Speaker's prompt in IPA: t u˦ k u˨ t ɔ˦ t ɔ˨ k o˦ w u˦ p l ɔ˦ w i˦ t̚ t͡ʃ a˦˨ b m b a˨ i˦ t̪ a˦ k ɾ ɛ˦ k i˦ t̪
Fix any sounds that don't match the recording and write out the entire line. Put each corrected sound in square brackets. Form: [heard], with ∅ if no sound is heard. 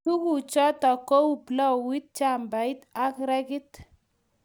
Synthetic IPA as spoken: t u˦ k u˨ [t͡ʃ] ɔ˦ t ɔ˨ k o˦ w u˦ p l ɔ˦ w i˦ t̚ t͡ʃ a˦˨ [∅] m b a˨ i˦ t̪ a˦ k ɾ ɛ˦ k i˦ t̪